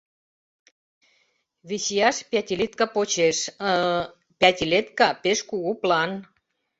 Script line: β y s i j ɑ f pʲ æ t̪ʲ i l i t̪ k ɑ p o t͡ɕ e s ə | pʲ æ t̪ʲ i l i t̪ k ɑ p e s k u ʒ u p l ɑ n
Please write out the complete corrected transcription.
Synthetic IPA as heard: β i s i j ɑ ʃ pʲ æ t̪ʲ i l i t̪ k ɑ p o t͡ɕ e ʃ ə | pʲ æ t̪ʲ i l e t̪ k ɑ p e ʃ k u ɣ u p l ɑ n